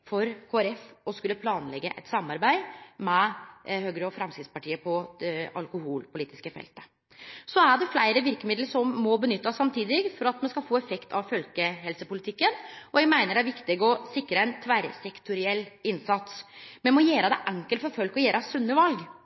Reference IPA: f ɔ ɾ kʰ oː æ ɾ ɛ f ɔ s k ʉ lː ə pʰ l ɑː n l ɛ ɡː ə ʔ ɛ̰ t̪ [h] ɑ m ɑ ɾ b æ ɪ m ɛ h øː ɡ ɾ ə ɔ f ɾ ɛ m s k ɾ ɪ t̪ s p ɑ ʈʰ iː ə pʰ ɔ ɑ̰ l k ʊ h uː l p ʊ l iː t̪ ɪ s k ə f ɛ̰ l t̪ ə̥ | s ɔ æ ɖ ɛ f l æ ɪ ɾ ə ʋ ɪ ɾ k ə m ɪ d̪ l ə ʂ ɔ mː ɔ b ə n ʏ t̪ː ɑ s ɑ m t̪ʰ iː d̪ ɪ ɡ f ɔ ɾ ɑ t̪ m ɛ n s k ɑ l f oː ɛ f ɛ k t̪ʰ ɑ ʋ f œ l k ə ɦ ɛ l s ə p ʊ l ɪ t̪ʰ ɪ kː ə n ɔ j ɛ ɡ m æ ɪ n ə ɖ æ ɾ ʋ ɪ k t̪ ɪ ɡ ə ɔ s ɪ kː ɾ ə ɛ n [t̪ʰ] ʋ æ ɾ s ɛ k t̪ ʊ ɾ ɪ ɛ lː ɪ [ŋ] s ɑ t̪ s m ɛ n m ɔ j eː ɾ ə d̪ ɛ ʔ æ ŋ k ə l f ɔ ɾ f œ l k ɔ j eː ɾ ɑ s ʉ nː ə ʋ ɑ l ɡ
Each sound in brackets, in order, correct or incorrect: incorrect: s, correct, incorrect: n

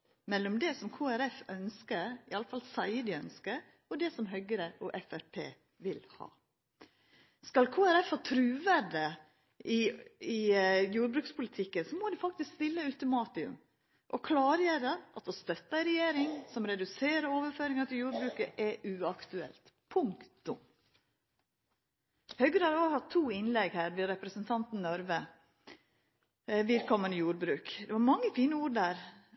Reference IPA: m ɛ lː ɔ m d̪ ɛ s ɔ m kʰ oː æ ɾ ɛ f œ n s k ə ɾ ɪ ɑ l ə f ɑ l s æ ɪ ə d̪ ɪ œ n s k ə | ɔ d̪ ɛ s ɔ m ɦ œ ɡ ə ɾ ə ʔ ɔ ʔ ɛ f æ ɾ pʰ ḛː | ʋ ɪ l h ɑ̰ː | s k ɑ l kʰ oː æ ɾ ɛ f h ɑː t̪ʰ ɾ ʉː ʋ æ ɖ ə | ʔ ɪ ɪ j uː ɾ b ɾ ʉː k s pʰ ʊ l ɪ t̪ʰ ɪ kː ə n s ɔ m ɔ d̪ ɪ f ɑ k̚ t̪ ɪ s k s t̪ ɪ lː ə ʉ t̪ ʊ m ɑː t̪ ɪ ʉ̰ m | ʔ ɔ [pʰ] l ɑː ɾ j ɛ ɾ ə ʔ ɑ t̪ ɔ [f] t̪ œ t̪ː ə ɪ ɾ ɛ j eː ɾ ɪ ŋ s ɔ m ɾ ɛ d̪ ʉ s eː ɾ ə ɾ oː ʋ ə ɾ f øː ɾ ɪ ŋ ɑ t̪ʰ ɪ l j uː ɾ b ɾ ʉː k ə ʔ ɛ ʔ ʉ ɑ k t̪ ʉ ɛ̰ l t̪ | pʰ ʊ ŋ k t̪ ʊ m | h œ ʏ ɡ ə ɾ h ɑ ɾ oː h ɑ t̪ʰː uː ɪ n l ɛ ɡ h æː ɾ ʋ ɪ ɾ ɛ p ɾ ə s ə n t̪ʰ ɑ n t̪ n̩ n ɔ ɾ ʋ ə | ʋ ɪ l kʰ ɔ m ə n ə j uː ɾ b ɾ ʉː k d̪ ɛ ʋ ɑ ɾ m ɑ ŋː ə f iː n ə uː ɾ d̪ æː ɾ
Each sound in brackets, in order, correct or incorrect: incorrect: kʰ, incorrect: s

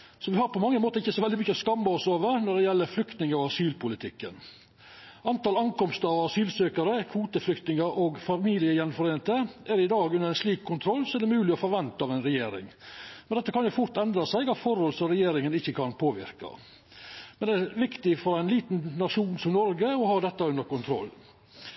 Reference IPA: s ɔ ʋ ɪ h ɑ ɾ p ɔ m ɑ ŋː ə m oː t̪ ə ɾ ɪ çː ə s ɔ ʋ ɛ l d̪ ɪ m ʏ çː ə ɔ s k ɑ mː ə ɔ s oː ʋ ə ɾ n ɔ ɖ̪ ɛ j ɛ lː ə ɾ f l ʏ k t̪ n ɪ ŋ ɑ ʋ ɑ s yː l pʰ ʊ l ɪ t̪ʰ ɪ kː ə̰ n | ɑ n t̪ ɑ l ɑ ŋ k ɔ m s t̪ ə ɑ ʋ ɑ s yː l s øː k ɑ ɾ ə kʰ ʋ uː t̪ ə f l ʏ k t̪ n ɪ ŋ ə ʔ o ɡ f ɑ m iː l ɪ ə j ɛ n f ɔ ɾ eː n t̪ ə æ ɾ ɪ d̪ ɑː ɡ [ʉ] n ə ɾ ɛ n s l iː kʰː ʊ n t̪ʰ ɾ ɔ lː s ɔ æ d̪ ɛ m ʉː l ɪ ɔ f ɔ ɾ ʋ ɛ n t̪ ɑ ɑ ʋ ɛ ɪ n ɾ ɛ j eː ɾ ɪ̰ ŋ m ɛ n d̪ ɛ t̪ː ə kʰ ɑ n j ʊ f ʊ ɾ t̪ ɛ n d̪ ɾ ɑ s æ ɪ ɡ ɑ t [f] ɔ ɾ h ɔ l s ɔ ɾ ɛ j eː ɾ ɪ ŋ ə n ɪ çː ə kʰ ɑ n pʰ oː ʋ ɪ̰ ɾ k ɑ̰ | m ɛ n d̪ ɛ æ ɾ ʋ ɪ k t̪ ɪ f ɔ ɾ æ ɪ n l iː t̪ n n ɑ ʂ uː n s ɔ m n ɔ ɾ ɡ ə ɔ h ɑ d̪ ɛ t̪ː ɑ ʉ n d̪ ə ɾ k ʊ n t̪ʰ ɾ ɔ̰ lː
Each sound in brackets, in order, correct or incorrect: correct, correct

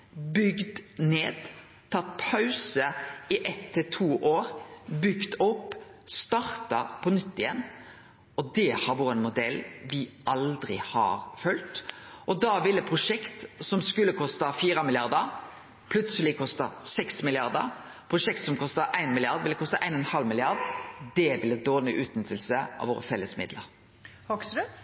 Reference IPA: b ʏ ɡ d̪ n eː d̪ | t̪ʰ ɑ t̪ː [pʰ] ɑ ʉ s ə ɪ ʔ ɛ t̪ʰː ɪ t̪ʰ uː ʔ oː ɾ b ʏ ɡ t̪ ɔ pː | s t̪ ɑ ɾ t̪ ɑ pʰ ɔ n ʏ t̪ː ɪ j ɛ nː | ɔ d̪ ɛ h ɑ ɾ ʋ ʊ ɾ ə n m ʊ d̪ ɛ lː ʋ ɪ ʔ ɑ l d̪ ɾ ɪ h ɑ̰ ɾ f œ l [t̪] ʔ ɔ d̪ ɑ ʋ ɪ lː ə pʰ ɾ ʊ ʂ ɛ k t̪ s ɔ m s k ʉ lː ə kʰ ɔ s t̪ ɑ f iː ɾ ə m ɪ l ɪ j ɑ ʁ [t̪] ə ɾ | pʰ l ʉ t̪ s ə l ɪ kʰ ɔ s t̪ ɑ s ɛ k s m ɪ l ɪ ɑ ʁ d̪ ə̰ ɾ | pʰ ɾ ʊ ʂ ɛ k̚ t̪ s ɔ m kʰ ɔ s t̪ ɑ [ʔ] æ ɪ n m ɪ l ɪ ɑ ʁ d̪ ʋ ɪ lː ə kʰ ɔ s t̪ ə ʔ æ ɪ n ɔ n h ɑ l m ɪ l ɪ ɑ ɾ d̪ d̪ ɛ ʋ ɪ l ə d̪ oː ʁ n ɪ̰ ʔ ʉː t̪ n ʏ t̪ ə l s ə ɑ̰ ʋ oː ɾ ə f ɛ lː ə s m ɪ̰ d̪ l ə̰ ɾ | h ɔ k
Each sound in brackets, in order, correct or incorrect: correct, correct, incorrect: d̪, correct

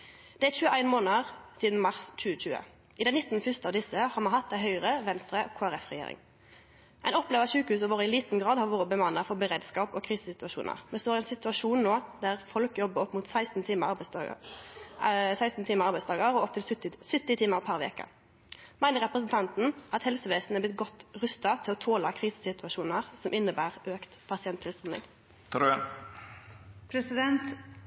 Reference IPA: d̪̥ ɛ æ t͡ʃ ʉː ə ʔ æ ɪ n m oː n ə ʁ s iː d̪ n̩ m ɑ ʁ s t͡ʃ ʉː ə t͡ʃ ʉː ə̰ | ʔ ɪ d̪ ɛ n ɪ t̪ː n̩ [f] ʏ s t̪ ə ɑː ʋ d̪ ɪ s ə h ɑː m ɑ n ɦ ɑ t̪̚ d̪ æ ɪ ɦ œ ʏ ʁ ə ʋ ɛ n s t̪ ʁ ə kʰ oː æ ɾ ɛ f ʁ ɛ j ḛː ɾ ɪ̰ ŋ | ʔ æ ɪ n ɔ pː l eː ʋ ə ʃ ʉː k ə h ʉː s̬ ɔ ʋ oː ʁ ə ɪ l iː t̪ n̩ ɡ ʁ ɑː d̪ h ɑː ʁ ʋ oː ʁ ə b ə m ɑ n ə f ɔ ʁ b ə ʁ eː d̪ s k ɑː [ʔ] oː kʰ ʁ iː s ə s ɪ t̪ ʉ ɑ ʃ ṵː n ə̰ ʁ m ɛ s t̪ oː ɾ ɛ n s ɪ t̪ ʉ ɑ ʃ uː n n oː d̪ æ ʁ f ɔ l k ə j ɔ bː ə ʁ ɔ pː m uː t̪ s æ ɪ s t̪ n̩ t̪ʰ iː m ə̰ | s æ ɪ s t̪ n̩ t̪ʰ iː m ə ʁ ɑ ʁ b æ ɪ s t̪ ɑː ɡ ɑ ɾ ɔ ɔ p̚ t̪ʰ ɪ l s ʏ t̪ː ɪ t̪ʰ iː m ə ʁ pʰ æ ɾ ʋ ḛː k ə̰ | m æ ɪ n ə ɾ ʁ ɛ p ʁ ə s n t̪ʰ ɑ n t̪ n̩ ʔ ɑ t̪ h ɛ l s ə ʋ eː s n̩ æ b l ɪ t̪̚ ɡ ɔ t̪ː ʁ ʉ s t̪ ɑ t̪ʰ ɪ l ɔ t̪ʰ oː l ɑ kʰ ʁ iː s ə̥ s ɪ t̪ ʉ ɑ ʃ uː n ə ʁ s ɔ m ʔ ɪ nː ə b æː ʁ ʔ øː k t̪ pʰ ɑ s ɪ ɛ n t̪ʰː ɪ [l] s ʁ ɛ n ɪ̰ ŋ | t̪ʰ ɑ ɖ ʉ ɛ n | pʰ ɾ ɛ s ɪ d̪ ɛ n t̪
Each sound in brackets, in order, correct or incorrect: correct, incorrect: p, correct

